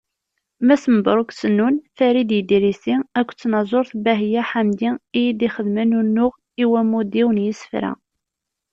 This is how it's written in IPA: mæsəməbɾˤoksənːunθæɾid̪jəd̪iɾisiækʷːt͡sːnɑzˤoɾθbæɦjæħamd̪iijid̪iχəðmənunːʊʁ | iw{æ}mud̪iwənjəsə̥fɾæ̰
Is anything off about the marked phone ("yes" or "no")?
no